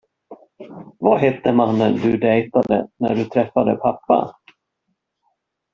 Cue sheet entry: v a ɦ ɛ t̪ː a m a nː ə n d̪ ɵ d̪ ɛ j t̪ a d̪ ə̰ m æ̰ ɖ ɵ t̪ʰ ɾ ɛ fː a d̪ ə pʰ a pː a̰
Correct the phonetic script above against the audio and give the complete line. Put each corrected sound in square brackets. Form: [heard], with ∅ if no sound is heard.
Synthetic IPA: v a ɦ ɛ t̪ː [ə] m a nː ə n d̪ ɵ d̪ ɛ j t̪ a d̪ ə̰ [n] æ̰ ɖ ɵ t̪ʰ ɾ ɛ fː a d̪ ə pʰ a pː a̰